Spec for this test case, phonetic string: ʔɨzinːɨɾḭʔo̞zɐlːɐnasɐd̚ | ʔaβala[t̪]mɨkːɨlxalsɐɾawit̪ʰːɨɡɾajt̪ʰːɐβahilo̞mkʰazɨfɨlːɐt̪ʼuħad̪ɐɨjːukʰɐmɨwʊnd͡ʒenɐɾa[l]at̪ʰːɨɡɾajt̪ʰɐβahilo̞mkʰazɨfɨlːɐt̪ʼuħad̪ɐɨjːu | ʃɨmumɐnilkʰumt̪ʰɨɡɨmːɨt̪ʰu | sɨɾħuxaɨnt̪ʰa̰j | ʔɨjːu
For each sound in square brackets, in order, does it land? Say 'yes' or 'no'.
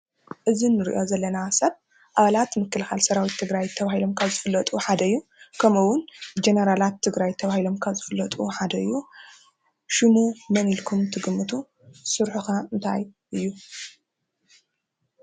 yes, yes

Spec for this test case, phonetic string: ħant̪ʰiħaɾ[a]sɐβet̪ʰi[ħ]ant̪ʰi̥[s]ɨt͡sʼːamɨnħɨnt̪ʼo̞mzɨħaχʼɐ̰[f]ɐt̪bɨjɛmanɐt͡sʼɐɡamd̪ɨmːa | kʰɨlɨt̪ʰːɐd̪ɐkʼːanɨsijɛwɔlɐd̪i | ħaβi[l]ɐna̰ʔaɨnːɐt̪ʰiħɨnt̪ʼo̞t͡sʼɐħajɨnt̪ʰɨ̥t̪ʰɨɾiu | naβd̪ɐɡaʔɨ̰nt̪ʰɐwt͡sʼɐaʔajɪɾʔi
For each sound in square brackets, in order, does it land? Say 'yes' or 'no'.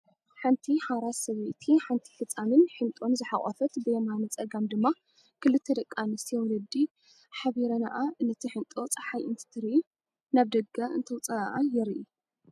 yes, yes, no, yes, no

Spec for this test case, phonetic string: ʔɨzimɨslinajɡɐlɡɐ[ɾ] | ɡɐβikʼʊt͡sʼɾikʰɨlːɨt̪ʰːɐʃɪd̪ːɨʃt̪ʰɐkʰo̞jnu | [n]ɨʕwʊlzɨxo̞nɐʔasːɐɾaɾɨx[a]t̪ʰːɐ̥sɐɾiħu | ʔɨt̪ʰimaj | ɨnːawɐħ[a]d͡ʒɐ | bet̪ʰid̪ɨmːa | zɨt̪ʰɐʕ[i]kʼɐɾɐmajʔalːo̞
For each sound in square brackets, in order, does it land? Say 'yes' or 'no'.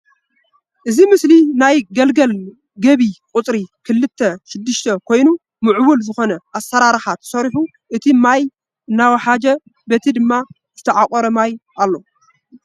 no, no, yes, yes, no

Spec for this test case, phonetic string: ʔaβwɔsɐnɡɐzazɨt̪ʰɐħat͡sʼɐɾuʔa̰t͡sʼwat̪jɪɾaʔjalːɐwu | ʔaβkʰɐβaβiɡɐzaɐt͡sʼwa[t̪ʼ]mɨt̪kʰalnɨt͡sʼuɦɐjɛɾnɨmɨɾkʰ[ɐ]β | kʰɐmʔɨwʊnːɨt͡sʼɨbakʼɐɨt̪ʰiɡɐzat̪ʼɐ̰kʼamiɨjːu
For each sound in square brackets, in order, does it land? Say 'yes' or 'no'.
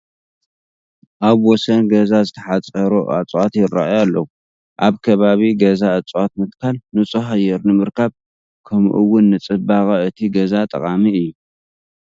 no, no

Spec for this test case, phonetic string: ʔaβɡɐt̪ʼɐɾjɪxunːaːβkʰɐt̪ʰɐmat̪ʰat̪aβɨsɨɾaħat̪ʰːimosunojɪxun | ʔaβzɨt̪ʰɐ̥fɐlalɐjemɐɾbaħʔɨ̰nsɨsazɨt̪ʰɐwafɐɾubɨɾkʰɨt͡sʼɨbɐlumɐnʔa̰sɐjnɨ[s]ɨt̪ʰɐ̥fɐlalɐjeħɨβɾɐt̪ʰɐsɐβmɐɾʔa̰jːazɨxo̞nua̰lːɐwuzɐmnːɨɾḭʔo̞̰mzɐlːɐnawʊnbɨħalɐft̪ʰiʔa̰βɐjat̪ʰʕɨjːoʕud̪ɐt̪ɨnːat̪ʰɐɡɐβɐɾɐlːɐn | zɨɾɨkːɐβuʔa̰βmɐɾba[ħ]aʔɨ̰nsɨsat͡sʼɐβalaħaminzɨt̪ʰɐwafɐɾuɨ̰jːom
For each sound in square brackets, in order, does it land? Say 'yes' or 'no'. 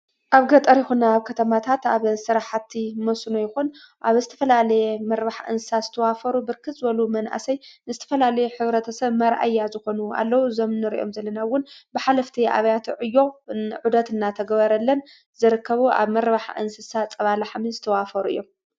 no, yes

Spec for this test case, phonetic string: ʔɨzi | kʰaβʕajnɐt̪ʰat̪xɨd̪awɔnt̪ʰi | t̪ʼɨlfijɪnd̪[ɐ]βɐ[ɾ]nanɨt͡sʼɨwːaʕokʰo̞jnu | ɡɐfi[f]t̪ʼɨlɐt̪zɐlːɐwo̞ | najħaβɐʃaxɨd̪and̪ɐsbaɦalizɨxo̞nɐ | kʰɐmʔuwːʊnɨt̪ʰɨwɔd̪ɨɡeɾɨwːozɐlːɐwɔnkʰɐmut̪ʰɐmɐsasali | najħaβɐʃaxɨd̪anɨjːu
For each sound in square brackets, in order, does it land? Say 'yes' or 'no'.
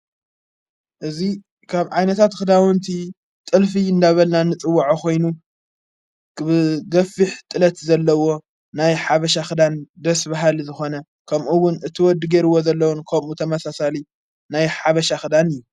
no, no, no

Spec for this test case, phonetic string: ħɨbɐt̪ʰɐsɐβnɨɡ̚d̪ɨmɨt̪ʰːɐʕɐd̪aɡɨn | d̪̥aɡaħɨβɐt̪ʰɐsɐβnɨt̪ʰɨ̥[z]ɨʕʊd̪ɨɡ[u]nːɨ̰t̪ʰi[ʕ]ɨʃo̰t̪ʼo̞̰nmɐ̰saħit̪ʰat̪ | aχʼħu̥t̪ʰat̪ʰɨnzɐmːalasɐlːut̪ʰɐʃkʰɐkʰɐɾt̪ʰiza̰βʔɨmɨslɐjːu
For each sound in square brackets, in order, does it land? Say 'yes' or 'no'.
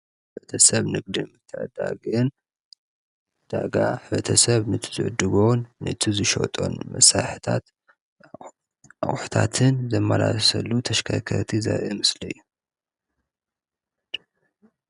yes, no, no

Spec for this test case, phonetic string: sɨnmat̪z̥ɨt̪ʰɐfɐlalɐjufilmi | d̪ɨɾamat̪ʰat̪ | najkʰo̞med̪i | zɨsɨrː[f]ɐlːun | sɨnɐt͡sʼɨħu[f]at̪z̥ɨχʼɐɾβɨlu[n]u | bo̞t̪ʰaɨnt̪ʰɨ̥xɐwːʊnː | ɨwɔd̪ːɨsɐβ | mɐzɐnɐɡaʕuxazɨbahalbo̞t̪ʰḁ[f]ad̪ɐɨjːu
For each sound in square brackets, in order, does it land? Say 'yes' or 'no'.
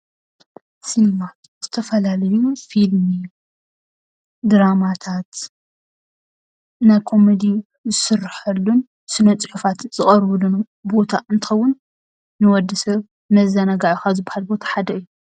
no, yes, yes, no

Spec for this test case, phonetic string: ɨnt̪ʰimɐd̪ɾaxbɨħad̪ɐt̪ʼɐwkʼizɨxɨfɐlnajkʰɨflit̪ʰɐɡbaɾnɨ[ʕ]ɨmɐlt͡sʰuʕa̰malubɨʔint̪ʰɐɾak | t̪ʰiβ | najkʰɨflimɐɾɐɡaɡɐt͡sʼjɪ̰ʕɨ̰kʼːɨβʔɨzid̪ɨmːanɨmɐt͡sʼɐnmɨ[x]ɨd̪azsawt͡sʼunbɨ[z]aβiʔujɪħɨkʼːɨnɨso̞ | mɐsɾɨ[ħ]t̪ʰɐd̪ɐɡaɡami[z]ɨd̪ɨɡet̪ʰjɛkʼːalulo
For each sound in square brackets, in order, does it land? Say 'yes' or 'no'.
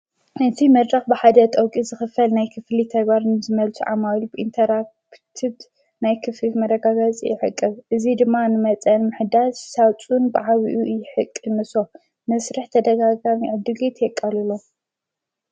no, no, no, yes, no

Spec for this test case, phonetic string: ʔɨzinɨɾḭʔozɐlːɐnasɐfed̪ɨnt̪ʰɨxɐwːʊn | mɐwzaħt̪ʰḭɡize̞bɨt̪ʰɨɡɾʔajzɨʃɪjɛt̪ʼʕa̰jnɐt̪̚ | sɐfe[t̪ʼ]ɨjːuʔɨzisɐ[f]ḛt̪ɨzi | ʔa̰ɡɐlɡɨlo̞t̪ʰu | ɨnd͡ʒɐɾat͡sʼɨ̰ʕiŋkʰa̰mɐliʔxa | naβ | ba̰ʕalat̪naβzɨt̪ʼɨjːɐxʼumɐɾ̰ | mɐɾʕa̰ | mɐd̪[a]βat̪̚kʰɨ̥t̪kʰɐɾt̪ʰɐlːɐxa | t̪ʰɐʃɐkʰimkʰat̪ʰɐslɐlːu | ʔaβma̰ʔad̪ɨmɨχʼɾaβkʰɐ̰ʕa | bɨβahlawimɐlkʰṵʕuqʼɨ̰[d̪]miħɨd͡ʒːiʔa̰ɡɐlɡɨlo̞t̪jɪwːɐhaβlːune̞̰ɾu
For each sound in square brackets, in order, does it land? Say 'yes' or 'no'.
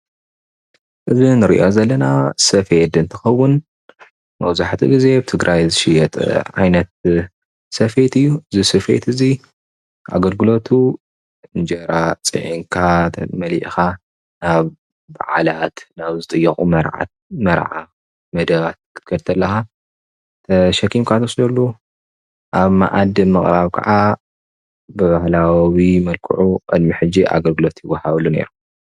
no, yes, no, yes

